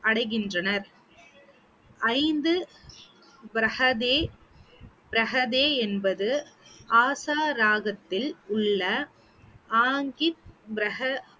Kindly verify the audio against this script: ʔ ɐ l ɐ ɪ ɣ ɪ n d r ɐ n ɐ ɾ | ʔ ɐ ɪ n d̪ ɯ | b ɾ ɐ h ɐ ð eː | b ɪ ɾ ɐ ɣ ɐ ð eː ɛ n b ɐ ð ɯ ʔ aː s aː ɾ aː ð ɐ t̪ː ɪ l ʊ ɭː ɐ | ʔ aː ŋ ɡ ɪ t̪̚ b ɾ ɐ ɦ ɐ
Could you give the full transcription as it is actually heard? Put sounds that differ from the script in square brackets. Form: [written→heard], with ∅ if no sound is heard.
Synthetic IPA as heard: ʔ ɐ [l→ɽ] ɐ ɪ ɣ ɪ n d r ɐ n ɐ ɾ | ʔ ɐ ɪ n d̪ ɯ | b ɾ ɐ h ɐ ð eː | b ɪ ɾ ɐ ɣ ɐ ð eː ɛ n b ɐ ð ɯ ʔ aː s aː ɾ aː [ð→ɣ] ɐ t̪ː ɪ l ʊ ɭː ɐ | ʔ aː ŋ ɡ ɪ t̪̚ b ɾ ɐ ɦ ɐ